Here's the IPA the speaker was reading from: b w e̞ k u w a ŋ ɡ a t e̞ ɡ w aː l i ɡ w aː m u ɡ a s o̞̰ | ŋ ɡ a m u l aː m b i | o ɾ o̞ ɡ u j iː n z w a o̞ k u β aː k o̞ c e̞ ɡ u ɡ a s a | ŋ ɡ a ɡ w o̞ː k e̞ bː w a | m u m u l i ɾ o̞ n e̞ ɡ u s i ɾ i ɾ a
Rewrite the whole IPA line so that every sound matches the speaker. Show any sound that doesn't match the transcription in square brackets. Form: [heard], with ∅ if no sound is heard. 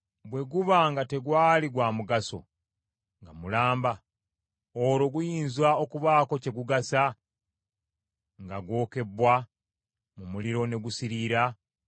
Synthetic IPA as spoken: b w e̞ [ɡ] u [β] a ŋ ɡ a t e̞ ɡ w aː l i ɡ w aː m u ɡ a s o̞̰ | ŋ ɡ a m u l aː m b [a] | o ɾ o̞ ɡ u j iː n z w a o̞ k u β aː k o̞ c e̞ ɡ u ɡ a s a | ŋ ɡ a ɡ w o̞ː k e̞ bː w a | m u m u l i ɾ o̞ n e̞ ɡ u s i ɾ i ɾ a